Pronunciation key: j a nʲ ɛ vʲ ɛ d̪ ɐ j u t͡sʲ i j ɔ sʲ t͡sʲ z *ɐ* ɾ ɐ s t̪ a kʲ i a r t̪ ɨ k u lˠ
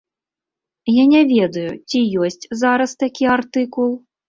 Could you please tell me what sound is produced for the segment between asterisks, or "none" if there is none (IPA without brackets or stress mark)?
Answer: a